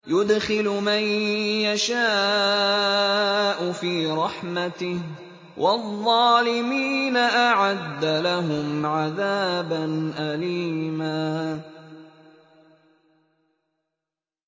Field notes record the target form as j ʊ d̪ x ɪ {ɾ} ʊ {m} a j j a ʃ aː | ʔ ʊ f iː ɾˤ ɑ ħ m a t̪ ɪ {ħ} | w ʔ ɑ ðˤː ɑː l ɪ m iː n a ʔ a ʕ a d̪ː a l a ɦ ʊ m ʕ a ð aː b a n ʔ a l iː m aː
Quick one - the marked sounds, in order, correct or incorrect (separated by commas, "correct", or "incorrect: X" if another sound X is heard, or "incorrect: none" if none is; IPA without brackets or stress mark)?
incorrect: l, correct, incorrect: h